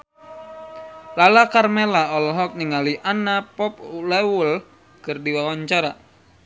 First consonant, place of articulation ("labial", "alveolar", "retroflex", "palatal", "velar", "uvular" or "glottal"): alveolar